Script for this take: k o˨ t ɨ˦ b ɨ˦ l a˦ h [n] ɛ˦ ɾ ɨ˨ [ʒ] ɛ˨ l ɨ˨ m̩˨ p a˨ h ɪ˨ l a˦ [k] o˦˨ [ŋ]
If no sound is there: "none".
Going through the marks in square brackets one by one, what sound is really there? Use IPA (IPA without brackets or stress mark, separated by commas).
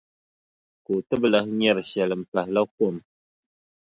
ɲ, ʃ, k, m